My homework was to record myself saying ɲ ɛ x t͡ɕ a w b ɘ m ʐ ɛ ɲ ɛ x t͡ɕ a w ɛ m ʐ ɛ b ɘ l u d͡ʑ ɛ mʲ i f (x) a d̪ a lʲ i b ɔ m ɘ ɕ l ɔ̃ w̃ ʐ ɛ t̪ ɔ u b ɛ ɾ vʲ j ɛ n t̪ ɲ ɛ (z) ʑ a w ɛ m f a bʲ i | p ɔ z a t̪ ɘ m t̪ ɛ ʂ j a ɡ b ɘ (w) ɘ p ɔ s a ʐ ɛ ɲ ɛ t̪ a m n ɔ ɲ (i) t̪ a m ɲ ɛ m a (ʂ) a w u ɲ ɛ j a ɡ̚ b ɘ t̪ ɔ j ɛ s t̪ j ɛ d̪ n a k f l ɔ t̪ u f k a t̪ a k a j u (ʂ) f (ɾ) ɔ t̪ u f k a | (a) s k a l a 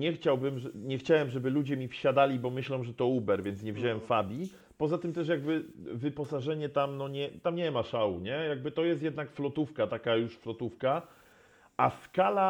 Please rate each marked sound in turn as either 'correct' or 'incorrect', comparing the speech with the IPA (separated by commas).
incorrect, incorrect, incorrect, incorrect, correct, correct, incorrect, correct